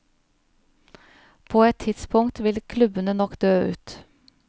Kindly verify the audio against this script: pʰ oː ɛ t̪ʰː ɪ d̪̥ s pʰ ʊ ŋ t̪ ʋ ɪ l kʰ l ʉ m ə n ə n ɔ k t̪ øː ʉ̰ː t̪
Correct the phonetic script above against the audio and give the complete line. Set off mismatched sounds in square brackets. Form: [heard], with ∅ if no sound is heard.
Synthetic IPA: pʰ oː ɛ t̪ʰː ɪ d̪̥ s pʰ ʊ ŋ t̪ ʋ ɪ l kʰ l ʉ [b] ə n ə n ɔ k [d̪] øː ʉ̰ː t̪